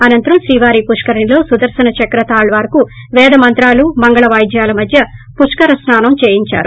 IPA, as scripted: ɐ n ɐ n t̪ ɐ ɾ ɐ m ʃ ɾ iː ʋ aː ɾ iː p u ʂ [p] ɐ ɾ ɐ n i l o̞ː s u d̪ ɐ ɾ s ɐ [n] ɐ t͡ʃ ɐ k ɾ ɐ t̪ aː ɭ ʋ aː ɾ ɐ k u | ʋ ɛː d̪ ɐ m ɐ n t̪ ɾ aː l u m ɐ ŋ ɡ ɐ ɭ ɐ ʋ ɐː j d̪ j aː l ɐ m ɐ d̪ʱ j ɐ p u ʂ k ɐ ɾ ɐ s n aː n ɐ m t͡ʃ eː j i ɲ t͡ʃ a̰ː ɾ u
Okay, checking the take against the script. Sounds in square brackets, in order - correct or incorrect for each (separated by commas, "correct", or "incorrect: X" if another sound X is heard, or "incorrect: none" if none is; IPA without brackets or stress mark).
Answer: incorrect: k, correct